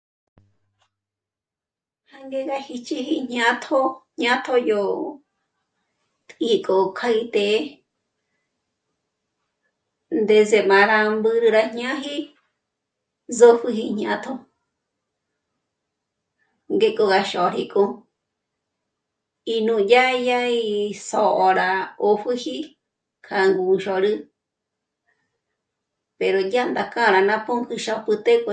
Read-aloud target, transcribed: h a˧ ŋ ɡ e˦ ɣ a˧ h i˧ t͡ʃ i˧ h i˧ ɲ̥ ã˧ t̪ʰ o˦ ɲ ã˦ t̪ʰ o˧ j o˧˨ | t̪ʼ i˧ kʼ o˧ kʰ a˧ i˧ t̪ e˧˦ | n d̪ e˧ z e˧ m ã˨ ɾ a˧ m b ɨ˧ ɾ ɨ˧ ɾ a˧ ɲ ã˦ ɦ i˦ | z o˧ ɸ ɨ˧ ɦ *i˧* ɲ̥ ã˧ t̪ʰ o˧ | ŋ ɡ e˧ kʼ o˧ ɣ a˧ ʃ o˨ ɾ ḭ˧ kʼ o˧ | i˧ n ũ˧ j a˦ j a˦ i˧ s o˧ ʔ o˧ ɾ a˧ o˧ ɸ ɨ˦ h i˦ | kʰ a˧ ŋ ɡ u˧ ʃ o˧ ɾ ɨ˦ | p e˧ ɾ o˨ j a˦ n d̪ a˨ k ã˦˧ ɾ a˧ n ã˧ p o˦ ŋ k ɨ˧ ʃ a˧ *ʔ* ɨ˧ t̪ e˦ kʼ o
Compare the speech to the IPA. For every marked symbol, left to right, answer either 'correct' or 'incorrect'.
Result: correct, incorrect: p

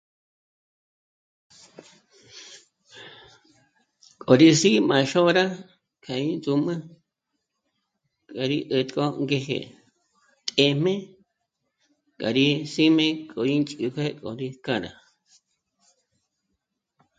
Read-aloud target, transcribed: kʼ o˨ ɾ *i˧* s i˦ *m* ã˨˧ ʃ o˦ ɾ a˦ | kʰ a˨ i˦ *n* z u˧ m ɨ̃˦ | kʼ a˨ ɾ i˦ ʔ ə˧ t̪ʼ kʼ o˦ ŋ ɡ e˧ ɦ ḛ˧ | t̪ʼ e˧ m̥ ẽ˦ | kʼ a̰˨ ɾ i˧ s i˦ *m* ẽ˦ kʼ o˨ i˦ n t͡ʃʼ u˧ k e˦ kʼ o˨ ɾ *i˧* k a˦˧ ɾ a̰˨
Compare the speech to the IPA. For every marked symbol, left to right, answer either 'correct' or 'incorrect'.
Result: correct, correct, correct, correct, correct

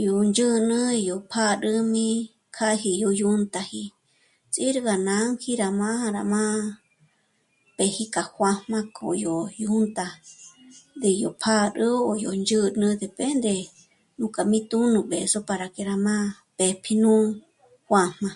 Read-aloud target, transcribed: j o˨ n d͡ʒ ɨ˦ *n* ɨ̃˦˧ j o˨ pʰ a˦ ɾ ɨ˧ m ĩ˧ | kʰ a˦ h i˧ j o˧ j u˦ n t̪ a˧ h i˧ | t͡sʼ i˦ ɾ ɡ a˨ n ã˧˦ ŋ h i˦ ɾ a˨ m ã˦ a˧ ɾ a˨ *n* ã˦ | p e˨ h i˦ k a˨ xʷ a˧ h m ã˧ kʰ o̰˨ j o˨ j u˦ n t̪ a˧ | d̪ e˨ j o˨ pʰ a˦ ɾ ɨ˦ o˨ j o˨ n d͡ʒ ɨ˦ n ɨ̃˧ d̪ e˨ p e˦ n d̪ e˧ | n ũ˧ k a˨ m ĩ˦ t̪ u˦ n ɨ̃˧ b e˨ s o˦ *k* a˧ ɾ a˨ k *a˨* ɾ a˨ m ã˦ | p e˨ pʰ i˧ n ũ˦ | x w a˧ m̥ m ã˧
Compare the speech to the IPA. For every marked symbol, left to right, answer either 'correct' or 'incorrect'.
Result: correct, incorrect: m, incorrect: p, incorrect: e˨

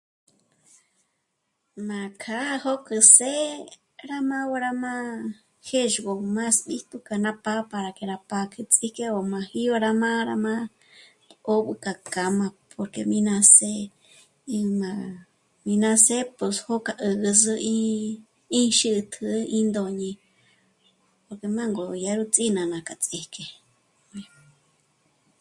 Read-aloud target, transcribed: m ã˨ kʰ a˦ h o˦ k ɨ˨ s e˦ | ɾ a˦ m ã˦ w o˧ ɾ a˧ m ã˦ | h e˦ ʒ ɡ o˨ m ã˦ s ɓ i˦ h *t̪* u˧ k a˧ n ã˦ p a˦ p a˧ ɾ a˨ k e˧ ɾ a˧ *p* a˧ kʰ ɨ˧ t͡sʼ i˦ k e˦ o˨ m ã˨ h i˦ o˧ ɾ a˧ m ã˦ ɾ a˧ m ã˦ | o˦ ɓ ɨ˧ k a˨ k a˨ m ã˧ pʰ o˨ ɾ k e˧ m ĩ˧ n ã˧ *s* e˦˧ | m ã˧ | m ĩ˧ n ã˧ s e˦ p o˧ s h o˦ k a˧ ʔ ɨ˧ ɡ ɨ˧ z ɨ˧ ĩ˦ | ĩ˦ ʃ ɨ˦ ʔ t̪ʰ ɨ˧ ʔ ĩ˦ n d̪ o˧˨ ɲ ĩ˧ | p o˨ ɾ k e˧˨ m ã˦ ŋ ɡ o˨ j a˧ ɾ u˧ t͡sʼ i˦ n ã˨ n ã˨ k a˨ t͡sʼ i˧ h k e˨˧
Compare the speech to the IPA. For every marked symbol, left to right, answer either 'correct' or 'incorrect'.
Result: correct, correct, correct

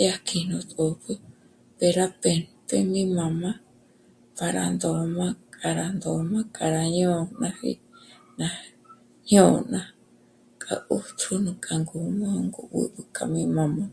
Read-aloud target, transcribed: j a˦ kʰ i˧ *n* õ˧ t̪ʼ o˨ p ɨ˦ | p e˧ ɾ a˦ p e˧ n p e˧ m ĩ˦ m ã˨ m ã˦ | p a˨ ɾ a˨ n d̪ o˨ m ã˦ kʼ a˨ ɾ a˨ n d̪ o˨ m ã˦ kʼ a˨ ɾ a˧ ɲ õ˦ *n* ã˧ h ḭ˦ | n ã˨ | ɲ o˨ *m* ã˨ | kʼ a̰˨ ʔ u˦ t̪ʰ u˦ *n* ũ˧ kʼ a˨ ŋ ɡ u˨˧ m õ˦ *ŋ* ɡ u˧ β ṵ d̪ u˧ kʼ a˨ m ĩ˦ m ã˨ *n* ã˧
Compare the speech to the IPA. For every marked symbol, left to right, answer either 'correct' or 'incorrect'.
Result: correct, correct, incorrect: n, correct, correct, incorrect: m

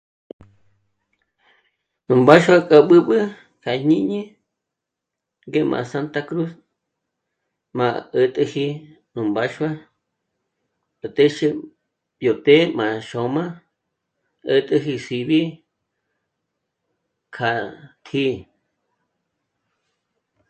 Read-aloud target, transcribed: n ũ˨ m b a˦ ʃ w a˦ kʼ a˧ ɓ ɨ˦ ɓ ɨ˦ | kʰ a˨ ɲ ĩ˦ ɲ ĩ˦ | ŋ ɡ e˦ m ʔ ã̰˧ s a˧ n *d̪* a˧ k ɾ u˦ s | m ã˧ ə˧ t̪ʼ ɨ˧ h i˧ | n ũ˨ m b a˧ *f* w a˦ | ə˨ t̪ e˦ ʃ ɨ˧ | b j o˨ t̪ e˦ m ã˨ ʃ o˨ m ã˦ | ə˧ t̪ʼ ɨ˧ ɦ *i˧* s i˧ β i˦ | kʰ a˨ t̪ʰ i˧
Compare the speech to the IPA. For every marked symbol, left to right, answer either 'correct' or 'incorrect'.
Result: incorrect: t̪, incorrect: ʃ, correct

